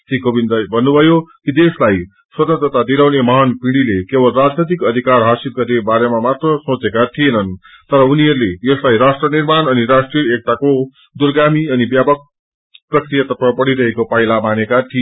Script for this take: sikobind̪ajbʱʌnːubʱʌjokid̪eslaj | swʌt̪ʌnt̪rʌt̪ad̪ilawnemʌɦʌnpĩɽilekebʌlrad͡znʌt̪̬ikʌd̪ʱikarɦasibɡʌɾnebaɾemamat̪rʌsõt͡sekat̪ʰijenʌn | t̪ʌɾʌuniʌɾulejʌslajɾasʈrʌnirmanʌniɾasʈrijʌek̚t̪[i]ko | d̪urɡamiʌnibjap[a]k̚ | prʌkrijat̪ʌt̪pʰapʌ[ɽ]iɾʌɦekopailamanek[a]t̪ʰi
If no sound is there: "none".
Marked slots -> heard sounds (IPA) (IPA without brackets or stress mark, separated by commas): a, ʌ, ɽ, a